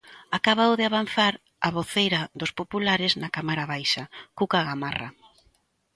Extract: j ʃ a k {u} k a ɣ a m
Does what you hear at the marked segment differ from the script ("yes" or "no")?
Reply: no